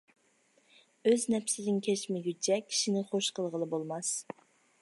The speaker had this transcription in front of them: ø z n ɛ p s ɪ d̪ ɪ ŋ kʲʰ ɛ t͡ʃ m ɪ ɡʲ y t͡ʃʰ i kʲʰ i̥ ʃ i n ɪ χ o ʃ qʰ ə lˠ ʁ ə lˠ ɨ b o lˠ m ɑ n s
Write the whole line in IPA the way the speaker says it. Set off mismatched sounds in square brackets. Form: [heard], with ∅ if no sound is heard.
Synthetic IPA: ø z n ɛ p s ɪ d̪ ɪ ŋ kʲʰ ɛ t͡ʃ m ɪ ɡʲ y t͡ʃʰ [ɛ] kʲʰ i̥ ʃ i n ɪ χ o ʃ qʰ ə lˠ ʁ ə lˠ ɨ b o lˠ m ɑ [∅] s